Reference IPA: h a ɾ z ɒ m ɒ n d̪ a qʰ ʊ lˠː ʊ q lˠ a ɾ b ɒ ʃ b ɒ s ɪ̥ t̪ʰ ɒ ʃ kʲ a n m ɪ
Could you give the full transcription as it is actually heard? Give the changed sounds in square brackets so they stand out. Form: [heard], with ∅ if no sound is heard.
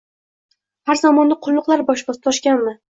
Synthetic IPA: h a ɾ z ɒ m ɒ n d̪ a qʰ ʊ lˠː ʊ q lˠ a ɾ b ɒ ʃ b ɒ s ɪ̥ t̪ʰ ɒ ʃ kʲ a n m ɪ